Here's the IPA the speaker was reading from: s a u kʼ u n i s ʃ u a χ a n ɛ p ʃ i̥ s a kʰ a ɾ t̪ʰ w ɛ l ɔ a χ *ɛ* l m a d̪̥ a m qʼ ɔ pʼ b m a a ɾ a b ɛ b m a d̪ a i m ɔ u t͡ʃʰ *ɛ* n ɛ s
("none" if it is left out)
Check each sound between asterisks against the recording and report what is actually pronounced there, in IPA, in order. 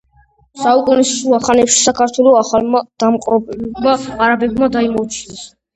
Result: a, i

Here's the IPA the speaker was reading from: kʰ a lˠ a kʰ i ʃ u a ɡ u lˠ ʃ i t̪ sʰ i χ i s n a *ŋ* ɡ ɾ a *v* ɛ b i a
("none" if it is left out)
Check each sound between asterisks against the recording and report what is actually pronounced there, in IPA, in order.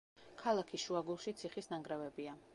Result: ŋ, v

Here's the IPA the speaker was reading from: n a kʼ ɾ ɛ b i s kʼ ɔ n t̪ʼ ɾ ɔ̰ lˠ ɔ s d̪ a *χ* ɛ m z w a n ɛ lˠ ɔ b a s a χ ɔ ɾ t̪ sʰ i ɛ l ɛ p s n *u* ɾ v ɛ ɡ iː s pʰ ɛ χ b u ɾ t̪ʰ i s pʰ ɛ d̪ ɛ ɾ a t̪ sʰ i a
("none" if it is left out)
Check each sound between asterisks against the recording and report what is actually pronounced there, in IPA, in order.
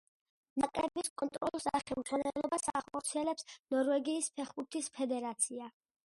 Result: χ, ɔ

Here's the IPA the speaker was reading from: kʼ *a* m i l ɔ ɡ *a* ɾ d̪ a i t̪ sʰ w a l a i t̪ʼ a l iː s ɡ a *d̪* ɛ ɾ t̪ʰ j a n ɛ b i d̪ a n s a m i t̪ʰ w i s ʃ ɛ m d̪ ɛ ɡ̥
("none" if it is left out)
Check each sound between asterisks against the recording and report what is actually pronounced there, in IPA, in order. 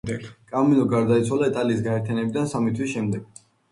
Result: a, a, none

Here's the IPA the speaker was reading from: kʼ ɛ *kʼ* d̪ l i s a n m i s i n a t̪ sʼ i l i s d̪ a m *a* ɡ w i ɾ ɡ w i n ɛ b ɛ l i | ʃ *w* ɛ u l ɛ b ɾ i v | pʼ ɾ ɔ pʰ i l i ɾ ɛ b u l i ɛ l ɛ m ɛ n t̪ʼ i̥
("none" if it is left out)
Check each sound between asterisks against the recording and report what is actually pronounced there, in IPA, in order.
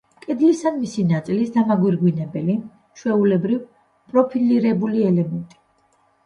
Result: none, a, w

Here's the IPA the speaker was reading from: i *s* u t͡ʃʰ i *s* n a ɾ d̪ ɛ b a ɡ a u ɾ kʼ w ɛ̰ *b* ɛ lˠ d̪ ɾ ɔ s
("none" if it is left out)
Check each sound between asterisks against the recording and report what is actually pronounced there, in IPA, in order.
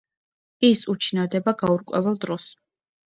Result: s, none, v

